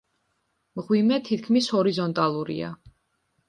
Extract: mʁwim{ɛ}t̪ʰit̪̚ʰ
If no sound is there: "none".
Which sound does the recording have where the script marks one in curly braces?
ɛ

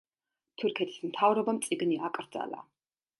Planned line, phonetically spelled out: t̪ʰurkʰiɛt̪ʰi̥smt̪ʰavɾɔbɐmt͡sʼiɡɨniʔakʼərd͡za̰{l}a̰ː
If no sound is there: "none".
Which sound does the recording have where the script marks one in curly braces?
l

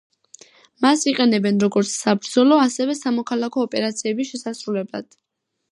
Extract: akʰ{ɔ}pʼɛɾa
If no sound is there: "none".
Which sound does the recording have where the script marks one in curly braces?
ɔː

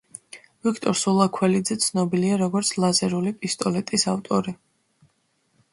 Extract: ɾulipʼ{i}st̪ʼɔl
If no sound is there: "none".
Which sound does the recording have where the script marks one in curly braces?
i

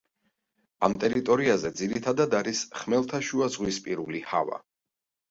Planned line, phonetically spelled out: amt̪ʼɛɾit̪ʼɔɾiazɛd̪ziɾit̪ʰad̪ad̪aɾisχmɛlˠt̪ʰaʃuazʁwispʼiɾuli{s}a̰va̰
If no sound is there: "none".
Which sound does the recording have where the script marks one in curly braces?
h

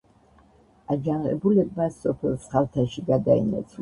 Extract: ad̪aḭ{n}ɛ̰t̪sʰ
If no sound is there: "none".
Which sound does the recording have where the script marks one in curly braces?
n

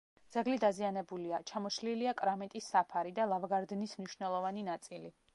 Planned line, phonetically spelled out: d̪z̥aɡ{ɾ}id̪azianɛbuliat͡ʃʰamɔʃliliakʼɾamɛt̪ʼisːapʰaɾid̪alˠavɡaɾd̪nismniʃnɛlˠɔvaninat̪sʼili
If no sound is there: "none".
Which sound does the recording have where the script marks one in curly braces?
l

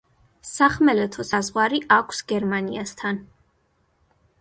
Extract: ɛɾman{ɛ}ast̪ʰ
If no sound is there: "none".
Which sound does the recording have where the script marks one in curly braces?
i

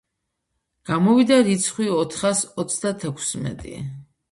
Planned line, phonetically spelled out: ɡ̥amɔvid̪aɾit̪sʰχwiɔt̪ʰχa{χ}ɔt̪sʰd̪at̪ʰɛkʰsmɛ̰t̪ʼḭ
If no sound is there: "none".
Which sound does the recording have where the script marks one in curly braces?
s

